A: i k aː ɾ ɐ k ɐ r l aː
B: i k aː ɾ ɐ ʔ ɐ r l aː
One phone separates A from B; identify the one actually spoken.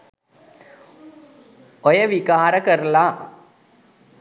A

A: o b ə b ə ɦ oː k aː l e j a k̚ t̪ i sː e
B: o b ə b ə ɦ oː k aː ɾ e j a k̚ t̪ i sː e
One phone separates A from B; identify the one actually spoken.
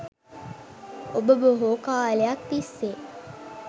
A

